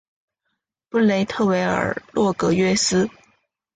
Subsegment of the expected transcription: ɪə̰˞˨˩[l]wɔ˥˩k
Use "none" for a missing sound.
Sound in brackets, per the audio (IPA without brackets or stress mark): l